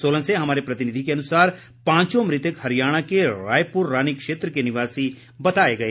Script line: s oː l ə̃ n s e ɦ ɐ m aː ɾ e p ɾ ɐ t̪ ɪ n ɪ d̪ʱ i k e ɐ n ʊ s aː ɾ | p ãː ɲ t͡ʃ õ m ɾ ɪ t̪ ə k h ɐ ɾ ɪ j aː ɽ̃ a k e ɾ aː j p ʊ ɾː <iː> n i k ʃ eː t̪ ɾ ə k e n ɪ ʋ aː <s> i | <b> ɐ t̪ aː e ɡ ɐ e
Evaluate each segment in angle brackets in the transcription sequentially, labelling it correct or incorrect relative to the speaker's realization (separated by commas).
incorrect, correct, correct